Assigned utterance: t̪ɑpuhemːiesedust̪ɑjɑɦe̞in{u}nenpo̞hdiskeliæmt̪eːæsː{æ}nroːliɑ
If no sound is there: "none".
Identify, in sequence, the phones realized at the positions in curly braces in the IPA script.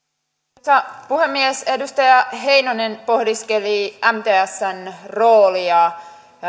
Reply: o, æ

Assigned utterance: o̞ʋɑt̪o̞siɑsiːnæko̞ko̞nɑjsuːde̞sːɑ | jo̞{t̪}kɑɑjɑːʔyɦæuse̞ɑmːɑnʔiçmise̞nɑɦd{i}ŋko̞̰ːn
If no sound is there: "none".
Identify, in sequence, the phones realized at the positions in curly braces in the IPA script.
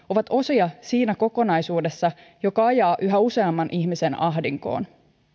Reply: none, i

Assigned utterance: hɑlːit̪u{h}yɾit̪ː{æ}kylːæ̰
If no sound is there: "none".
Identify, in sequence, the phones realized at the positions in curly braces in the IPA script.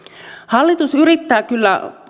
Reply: s, æː

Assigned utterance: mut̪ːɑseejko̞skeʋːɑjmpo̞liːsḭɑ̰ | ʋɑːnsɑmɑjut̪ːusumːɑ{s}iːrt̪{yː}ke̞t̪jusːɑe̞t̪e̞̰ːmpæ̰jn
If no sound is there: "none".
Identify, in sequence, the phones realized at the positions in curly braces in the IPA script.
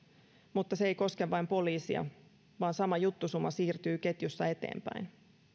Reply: s, yː

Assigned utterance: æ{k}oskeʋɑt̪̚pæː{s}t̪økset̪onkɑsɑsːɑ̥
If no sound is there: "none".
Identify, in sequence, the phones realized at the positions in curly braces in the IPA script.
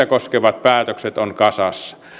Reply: k, none

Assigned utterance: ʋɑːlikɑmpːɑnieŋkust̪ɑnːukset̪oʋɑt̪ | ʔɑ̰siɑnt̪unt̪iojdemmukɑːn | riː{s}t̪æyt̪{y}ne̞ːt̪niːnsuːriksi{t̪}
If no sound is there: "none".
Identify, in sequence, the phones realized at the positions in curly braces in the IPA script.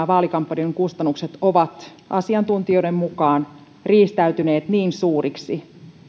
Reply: s, y, none

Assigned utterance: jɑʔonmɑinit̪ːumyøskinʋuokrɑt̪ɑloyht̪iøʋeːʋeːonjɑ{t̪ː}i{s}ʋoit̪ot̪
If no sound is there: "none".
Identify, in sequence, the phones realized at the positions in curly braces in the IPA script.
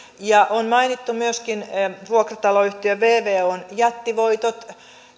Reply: t̪ː, none

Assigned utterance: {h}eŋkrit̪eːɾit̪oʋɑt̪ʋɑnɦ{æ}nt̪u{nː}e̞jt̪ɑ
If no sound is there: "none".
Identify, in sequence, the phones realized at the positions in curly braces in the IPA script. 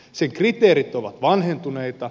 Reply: s, e, n

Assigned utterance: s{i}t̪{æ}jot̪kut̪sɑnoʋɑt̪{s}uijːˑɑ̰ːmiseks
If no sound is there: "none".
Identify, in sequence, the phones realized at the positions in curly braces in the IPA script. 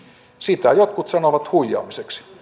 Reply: i, æ, h

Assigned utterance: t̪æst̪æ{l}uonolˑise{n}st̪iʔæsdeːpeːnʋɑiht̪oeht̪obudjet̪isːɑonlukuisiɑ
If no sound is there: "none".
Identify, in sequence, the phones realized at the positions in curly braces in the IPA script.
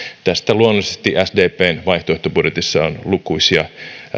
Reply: l, none

